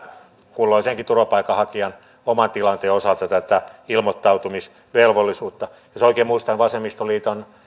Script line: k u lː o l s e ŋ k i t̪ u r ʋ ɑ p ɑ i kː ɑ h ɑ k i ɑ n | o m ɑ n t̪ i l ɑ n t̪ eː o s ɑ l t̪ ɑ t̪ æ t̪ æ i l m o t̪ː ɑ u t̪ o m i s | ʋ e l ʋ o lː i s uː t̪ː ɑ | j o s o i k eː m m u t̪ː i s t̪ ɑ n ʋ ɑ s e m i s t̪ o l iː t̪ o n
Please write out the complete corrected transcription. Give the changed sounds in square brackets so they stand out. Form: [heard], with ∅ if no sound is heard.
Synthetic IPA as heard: k u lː o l s e ŋ k i t̪ u r ʋ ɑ p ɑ i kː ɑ h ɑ k i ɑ n | o m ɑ n t̪ i l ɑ n t̪ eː o s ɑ l t̪ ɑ t̪ æ t̪ æ i l m o t̪ː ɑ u t̪ [u] m i s | ʋ e l ʋ o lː i s uː t̪ː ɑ | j o s o i k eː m m u [∅] i s t̪ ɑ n ʋ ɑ s e m i s t̪ o l iː t̪ o n